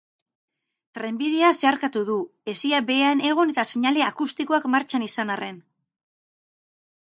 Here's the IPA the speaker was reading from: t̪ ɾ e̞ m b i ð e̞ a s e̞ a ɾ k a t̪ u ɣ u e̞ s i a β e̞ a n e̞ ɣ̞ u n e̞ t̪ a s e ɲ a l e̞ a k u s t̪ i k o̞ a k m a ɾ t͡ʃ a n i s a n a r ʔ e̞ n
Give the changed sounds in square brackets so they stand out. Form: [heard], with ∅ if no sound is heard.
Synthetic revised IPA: t̪ ɾ e̞ m b i ð e̞ a s e̞ a ɾ k a t̪ u [ð] u e̞ s i a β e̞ a n e̞ ɣ̞ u n e̞ t̪ a s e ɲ a l e̞ a k u s t̪ i k o̞ a k m a ɾ t͡ʃ a n i s a n a r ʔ e̞ n